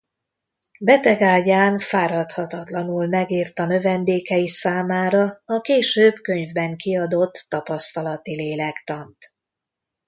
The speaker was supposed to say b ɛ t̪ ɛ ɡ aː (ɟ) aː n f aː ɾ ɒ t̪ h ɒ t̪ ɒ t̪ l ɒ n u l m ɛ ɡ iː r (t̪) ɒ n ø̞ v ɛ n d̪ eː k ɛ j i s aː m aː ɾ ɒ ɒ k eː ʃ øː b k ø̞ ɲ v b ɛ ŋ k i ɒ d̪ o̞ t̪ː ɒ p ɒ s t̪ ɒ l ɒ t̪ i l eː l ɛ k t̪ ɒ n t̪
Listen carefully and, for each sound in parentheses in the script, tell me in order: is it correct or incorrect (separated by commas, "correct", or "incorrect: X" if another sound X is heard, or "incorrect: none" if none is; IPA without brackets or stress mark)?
correct, correct